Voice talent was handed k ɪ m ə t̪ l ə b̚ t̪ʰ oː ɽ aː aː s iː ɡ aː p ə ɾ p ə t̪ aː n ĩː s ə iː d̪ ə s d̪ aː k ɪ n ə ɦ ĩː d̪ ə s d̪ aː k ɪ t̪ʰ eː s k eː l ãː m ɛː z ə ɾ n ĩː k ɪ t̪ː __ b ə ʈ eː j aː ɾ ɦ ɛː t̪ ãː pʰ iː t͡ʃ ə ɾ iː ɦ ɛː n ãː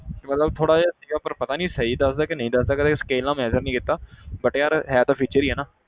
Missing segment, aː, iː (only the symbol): aː